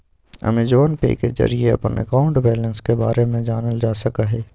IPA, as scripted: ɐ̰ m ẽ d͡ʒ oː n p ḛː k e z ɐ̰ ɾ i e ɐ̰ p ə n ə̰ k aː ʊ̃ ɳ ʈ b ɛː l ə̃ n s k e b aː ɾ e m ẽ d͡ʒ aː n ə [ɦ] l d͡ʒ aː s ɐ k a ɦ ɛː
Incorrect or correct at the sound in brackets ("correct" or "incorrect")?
incorrect